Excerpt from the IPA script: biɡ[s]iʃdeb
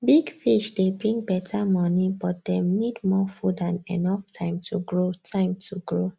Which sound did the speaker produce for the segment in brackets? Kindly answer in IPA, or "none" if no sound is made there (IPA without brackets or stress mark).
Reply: f